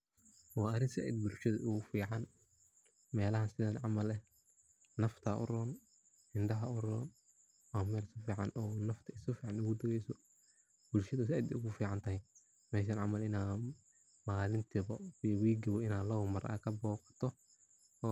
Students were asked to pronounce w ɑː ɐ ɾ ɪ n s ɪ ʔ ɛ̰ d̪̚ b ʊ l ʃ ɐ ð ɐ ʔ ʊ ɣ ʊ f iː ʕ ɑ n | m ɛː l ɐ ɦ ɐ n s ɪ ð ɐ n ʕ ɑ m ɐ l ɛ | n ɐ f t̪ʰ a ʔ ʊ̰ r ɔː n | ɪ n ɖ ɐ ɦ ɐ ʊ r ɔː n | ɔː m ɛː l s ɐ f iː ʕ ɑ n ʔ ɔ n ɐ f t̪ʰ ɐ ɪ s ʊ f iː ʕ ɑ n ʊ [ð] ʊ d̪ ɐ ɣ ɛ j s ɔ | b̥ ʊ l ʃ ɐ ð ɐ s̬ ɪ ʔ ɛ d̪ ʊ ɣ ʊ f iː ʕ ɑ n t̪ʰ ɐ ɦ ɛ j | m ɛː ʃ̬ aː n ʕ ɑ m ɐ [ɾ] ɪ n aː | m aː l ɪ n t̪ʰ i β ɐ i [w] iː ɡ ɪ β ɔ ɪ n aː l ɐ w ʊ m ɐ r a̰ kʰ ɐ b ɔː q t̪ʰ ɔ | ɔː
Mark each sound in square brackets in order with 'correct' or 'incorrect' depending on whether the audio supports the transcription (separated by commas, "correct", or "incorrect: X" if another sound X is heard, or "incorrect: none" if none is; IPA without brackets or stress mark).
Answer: incorrect: ɣ, incorrect: l, correct